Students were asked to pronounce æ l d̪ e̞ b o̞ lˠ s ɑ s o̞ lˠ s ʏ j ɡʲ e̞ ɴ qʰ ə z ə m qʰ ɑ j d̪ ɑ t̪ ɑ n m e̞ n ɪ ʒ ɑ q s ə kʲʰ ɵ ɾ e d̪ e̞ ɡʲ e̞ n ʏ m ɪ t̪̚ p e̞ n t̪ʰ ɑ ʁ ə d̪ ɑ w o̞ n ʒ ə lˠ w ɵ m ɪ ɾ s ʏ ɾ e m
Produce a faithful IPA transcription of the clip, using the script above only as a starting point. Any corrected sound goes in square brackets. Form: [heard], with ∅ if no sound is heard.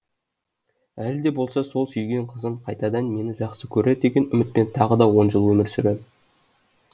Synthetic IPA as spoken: æ l d̪ e̞ b o̞ lˠ s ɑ s o̞ lˠ s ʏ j ɡʲ e̞ ɴ qʰ ə z ə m qʰ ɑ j [t̪] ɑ [d̪] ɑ n m e̞ n ɪ ʒ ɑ q s ə kʲʰ ɵ ɾ e d̪ e̞ ɡʲ e̞ n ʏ m ɪ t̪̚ p e̞ n t̪ʰ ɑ ʁ ə d̪ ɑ w o̞ n ʒ ə lˠ w ɵ m ɪ ɾ s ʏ ɾ e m